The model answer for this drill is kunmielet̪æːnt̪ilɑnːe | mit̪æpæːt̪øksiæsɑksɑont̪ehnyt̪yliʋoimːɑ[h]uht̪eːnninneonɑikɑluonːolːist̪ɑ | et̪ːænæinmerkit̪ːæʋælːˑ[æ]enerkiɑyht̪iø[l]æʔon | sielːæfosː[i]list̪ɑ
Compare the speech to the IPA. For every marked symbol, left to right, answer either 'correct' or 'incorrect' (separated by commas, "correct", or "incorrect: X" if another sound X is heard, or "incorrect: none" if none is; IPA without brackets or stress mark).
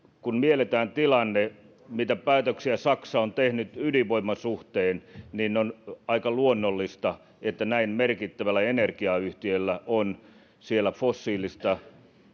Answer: incorrect: s, correct, incorrect: lː, incorrect: iː